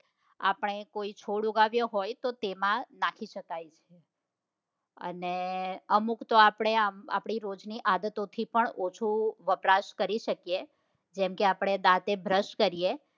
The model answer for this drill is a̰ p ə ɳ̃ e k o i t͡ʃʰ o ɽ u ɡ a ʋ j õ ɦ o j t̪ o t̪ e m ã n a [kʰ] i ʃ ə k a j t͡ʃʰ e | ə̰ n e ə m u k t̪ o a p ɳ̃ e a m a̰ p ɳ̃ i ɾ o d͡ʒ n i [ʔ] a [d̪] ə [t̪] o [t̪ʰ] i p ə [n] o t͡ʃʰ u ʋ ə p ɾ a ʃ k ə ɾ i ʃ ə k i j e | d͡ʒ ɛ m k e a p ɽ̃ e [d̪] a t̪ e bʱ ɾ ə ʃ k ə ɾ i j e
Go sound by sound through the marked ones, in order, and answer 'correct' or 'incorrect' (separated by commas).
correct, correct, correct, correct, correct, incorrect, correct